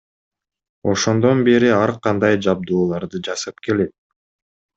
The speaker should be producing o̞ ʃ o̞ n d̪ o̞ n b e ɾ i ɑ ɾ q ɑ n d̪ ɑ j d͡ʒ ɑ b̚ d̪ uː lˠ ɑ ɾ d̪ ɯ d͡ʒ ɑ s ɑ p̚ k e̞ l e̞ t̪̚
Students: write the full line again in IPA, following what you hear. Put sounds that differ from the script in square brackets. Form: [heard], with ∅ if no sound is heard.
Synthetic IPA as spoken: o̞ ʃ o̞ n d̪ o̞ n b e ɾ i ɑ ɾ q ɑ n d̪ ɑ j d͡ʒ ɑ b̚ d̪ uː lˠ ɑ ɾ d̪ ɯ d͡ʒ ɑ s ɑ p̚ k e̞ l e̞ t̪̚